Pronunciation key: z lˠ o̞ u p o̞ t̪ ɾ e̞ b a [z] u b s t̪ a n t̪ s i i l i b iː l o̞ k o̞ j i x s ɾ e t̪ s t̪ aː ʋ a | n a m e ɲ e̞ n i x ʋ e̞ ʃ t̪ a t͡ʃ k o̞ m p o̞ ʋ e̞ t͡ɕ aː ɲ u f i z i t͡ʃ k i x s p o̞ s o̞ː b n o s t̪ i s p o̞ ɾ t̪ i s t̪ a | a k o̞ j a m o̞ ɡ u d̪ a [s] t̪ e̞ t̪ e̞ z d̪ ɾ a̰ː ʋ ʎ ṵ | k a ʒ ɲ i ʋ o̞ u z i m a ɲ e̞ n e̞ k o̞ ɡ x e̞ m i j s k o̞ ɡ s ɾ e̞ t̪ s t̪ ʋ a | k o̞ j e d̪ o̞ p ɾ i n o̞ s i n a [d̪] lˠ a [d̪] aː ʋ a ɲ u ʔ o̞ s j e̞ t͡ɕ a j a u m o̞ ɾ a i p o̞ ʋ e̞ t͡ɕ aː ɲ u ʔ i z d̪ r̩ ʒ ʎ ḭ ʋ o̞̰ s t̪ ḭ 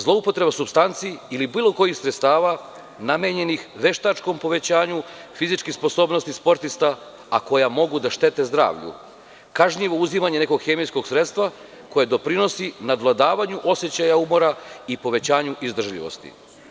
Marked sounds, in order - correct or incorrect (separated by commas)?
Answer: incorrect, incorrect, correct, correct